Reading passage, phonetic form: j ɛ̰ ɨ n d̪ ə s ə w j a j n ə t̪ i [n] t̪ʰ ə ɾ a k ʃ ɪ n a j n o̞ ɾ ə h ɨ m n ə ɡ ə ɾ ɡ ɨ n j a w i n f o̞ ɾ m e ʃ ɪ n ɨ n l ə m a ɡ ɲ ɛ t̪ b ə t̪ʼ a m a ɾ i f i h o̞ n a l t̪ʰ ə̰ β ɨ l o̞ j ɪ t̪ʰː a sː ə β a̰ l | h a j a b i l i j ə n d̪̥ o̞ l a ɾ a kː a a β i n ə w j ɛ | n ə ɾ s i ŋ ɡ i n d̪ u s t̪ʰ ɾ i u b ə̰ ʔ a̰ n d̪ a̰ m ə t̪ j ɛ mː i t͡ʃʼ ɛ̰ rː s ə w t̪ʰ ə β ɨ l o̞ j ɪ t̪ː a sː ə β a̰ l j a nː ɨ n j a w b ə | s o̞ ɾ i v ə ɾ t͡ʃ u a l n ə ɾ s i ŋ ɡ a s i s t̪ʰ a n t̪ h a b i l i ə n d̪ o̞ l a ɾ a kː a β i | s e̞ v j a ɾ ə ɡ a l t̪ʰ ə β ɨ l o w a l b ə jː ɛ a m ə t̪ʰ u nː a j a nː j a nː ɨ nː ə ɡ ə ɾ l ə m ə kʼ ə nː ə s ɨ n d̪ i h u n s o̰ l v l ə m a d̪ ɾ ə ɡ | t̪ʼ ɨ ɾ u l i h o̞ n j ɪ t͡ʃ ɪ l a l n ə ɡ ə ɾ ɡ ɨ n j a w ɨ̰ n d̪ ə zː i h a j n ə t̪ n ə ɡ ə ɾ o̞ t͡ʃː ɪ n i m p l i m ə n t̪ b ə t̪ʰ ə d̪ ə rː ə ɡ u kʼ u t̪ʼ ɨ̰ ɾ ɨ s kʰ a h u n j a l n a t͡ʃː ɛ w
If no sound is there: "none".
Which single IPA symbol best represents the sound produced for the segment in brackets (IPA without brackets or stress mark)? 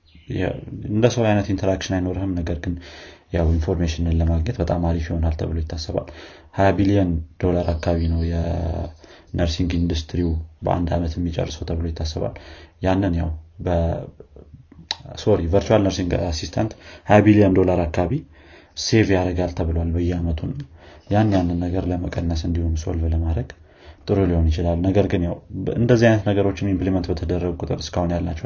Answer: n